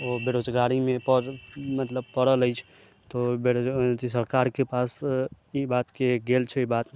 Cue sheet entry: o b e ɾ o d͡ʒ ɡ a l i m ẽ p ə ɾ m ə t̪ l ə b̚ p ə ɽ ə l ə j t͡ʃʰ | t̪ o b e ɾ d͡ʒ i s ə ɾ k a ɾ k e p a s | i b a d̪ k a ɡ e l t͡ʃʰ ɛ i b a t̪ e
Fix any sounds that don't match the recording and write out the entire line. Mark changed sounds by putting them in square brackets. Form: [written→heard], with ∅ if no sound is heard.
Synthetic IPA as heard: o b e ɾ o d͡ʒ ɡ a [l→ɾ] i m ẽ p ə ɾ m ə t̪ l ə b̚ p ə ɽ ə l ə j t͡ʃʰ | t̪ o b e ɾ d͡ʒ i s ə ɾ k a ɾ k e p a s | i b a [d̪→t̪] k [a→e] ɡ e l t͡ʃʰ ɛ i b a t̪ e